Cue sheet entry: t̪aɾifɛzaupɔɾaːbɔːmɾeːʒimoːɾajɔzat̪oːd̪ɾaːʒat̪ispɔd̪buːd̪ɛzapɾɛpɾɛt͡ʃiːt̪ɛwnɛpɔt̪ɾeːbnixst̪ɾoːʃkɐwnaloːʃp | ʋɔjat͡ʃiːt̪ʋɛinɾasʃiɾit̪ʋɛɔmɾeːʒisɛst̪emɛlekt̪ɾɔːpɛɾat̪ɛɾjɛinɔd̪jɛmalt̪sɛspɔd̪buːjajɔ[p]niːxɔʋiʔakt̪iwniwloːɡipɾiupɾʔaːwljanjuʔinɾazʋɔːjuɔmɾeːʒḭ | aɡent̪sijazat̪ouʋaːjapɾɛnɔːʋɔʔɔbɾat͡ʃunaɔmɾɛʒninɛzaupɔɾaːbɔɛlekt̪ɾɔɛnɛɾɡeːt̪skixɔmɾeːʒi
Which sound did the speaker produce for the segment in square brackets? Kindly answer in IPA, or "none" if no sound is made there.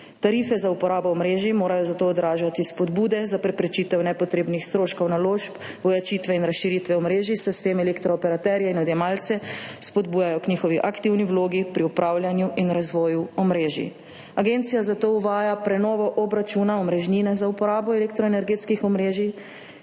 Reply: k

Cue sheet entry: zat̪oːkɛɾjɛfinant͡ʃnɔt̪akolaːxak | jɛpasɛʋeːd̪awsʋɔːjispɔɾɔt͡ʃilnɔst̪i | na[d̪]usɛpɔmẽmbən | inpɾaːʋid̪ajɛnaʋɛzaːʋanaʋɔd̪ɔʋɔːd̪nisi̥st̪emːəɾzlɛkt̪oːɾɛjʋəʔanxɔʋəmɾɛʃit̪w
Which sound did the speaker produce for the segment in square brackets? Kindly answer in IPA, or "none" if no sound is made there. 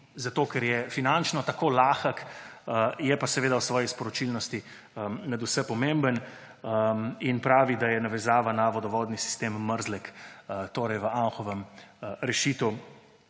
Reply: d̪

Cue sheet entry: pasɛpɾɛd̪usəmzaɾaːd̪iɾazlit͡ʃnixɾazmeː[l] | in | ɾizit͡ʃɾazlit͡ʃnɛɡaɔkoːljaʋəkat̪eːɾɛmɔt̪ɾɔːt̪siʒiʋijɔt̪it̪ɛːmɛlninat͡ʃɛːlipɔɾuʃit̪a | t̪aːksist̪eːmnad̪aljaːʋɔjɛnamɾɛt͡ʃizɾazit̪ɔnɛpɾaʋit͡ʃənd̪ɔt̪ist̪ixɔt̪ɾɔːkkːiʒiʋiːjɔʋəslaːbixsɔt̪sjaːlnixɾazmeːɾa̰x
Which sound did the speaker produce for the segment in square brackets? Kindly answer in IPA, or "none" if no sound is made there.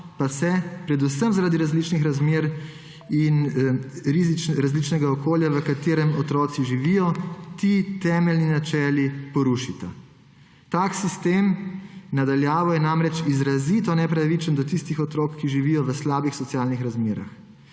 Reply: ɾ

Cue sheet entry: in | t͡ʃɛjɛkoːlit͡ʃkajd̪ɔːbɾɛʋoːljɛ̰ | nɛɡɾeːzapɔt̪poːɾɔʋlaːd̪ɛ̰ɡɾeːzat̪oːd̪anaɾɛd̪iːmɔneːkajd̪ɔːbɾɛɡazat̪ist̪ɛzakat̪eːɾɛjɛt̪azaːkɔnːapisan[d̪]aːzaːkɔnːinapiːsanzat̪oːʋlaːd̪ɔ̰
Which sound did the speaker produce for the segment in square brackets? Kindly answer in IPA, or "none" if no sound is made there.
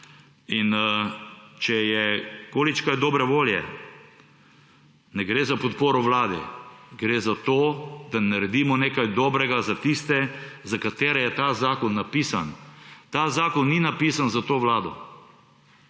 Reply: t̪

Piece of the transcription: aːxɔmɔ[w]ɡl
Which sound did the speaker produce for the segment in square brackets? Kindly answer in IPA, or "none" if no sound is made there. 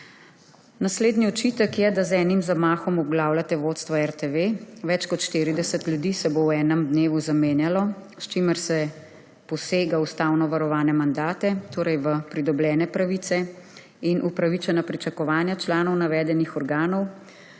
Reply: b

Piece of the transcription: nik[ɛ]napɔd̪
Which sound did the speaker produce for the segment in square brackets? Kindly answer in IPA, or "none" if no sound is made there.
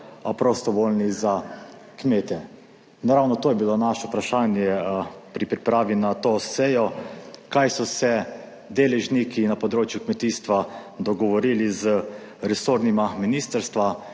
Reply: i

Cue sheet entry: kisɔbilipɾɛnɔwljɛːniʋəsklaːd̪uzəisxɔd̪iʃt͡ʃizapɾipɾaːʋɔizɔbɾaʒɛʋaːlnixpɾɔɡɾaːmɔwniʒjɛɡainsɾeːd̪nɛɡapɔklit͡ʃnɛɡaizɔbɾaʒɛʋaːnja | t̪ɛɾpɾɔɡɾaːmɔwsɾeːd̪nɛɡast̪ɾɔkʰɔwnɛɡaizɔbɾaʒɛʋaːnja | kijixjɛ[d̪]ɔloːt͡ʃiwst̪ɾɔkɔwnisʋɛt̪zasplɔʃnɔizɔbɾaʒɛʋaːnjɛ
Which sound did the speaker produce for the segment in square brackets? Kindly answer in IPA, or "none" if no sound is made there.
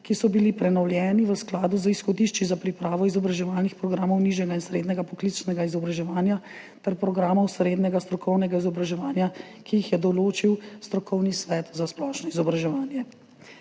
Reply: d̪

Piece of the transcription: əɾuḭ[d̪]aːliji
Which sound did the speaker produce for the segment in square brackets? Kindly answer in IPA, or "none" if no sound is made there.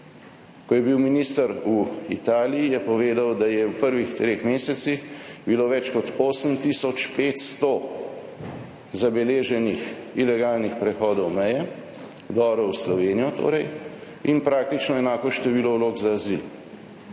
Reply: t̪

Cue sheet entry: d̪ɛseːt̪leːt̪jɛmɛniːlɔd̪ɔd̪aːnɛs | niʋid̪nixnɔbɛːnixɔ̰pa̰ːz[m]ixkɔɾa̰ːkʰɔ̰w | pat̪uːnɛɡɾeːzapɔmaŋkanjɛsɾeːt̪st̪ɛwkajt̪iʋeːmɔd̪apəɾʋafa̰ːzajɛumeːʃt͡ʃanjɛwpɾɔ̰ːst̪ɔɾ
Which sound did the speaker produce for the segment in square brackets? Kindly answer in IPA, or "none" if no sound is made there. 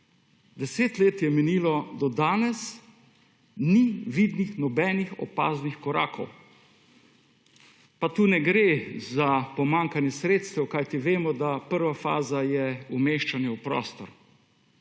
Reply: n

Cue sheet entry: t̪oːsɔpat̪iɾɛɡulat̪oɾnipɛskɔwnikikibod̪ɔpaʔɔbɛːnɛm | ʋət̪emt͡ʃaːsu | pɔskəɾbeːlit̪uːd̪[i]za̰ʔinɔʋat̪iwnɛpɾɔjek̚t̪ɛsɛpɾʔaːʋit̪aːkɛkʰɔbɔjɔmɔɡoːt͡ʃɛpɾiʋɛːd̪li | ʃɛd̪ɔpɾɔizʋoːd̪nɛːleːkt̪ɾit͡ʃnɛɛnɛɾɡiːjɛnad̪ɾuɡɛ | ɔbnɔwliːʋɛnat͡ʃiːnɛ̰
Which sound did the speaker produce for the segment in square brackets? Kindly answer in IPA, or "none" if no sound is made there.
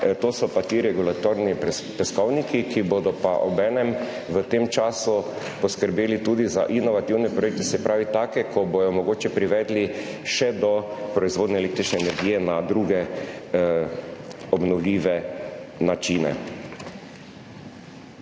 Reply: i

